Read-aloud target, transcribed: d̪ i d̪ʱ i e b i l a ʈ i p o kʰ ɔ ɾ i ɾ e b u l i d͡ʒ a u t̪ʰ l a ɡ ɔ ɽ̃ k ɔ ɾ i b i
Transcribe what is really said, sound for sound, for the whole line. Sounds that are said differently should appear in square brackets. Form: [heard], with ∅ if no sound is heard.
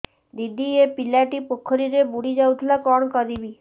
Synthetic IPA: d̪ i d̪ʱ i e [p] i l a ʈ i p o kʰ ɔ ɾ i ɾ e b u [ɽ] i d͡ʒ a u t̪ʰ l a [k] ɔ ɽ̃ k ɔ ɾ i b i